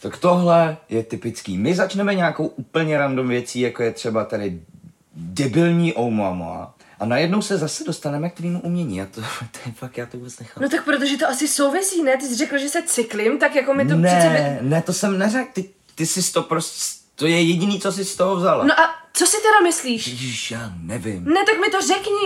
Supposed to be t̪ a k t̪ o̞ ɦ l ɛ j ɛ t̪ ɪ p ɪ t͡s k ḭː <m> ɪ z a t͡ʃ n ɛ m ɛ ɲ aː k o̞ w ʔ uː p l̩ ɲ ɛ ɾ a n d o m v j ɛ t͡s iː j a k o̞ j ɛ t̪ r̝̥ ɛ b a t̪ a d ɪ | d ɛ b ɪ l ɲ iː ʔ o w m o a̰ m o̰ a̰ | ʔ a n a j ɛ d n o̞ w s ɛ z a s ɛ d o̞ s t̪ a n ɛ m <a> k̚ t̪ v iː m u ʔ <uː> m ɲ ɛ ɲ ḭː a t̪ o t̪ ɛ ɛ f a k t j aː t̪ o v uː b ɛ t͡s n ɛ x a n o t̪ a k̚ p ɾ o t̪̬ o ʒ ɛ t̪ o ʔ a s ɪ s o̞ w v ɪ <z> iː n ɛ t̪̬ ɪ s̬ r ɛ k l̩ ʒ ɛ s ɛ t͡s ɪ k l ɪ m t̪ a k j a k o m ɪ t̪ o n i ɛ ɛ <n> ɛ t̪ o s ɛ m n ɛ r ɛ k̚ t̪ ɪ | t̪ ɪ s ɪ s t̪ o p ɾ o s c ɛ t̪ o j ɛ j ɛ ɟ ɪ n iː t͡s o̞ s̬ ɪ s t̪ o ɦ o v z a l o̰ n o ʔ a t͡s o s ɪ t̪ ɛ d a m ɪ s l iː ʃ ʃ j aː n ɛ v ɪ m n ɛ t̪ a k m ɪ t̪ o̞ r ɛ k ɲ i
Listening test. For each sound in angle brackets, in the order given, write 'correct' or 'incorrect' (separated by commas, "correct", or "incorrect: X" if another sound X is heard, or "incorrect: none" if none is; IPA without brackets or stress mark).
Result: correct, incorrect: ɛ, incorrect: u, incorrect: s, correct